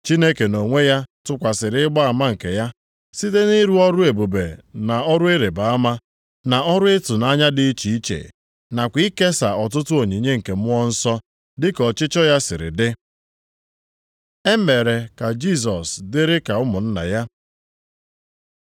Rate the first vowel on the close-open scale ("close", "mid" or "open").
close